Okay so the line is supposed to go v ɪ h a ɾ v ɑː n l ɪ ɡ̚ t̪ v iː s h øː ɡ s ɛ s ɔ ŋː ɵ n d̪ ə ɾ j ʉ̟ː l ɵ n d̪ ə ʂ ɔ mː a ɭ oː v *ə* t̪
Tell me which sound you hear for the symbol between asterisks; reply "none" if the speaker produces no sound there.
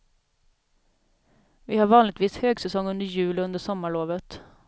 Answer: ə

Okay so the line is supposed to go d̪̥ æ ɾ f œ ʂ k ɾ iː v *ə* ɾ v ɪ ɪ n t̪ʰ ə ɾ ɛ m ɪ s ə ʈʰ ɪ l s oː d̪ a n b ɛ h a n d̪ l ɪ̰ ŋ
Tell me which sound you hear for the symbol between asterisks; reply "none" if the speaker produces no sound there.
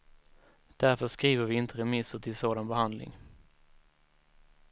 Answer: ə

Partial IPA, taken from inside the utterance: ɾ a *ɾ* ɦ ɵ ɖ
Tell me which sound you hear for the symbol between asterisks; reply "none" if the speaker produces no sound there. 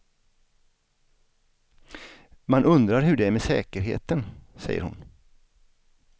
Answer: ɾ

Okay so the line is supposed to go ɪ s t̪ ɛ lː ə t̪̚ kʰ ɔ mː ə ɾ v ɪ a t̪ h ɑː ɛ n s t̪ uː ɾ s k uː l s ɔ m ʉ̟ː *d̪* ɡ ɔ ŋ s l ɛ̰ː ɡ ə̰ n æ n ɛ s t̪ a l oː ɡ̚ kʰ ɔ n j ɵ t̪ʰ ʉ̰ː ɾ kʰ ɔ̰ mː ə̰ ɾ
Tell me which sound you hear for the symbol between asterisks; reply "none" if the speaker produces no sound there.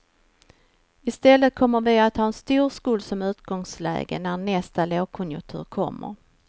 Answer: t̪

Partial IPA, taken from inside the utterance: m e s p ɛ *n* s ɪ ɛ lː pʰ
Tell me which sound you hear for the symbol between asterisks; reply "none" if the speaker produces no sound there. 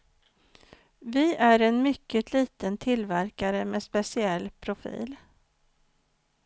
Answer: none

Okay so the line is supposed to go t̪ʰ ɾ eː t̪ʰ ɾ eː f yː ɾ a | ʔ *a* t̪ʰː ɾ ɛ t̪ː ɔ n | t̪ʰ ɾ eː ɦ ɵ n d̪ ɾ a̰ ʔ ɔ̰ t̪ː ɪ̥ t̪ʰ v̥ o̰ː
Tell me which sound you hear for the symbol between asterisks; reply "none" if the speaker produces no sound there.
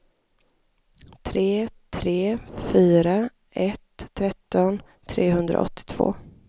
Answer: ɛ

